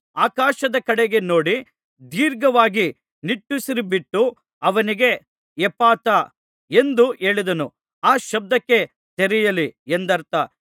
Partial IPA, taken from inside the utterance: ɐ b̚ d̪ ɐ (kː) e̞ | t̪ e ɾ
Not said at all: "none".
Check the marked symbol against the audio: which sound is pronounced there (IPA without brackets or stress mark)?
kː